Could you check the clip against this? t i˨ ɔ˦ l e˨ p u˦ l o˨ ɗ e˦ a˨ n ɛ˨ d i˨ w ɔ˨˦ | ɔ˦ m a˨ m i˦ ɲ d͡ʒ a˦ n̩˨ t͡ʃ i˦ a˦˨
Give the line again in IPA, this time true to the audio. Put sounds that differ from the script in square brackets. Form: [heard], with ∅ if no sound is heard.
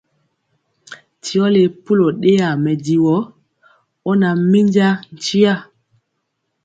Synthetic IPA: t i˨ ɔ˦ l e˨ p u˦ l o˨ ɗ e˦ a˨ [m] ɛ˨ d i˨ w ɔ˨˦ | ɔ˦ [n] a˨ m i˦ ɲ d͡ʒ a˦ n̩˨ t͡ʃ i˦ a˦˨